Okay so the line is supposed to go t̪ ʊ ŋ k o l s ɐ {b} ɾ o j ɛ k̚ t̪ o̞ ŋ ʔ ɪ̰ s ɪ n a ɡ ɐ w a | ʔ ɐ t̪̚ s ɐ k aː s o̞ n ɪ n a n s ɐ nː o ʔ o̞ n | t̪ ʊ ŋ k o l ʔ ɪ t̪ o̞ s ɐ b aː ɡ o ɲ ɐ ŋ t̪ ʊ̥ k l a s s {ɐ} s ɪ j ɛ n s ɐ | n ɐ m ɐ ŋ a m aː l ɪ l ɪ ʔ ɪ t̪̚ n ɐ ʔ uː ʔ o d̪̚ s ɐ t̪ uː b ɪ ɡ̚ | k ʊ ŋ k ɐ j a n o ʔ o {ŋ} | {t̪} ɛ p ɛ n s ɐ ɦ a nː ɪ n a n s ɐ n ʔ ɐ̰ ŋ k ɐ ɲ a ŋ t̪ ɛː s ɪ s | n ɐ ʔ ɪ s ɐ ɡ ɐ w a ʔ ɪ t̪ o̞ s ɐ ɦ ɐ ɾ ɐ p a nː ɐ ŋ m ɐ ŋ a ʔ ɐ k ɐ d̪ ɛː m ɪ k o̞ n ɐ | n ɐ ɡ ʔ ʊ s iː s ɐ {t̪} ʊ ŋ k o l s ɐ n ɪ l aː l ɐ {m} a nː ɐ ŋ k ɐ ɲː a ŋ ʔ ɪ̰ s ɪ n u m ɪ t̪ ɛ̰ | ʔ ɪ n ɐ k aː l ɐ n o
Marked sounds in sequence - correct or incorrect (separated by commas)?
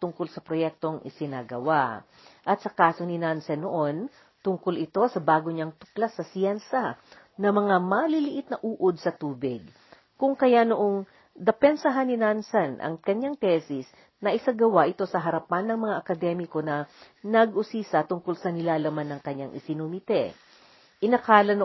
incorrect, correct, correct, incorrect, correct, correct